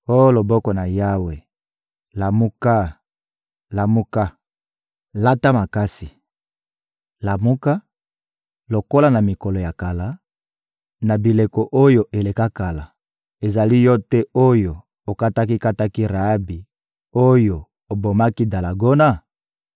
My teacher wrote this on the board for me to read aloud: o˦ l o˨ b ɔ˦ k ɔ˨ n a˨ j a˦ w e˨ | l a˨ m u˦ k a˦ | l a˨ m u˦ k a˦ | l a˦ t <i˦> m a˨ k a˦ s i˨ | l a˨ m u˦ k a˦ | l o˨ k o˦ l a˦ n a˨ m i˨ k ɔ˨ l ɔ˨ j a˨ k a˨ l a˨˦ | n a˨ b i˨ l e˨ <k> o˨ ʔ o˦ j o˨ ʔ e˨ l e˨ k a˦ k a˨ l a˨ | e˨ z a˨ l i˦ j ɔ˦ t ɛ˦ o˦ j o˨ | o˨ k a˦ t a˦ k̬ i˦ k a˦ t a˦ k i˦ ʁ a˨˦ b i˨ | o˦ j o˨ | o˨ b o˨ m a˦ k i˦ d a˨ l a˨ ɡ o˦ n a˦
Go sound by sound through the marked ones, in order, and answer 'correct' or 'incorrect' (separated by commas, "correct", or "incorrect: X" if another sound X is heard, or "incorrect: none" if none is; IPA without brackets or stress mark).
incorrect: a˦, correct